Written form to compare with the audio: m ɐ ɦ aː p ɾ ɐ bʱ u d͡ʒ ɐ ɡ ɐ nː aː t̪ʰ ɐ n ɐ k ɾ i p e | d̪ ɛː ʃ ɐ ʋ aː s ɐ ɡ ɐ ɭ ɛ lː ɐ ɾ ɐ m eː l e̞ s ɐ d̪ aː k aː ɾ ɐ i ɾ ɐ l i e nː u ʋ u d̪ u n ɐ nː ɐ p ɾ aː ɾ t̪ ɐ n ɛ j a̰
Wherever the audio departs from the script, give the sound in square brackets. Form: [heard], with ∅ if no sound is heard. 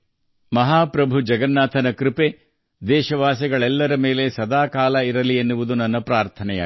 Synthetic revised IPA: m ɐ ɦ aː p ɾ ɐ bʱ u d͡ʒ ɐ ɡ ɐ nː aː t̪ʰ ɐ n ɐ k ɾ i p e | d̪ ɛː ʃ ɐ ʋ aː s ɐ ɡ ɐ ɭ ɛ lː ɐ ɾ ɐ m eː l e̞ s ɐ d̪ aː k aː [l] ɐ i ɾ ɐ l i e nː u ʋ u d̪ u n ɐ nː ɐ p ɾ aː ɾ [t̪ʰ] ɐ n ɛ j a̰